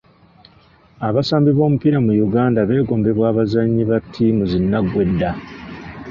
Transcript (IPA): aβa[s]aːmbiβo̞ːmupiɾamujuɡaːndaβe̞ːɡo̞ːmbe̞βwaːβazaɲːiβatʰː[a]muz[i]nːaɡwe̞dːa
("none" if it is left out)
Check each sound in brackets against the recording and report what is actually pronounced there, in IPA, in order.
s, i, i

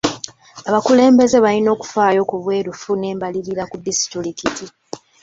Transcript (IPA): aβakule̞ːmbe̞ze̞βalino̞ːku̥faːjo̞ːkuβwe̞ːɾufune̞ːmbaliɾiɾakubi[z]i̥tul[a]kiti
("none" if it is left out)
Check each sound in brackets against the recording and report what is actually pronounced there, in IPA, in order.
s, i

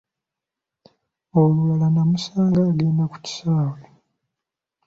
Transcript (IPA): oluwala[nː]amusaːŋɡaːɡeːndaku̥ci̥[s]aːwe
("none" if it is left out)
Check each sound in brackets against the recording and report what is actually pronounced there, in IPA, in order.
n, s

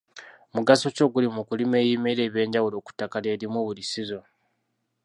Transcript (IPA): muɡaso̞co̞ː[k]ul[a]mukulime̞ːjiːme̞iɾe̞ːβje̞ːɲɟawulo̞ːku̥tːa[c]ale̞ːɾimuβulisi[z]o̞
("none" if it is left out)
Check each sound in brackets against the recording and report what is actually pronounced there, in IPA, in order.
ɡ, i, k, z

